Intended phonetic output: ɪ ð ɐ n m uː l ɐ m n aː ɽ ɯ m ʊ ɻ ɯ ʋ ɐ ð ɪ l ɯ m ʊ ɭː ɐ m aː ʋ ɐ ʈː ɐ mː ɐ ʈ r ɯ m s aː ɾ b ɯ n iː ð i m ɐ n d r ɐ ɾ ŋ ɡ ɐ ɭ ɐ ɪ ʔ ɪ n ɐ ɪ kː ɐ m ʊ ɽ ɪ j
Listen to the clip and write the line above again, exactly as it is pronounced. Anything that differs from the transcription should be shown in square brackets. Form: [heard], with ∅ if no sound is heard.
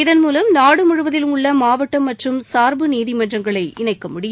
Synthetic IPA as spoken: ɪ ð ɐ n m uː l ɐ m n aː ɽ ɯ m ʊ ɻ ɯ ʋ ɐ ð ɪ l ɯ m ʊ ɭː ɐ m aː ʋ ɐ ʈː ɐ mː ɐ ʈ r ɯ m s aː ɾ b ɯ n iː ð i m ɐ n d r ɐ [∅] ŋ ɡ ɐ ɭ ɐ ɪ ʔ ɪ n ɐ ɪ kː ɐ m ʊ ɽ ɪ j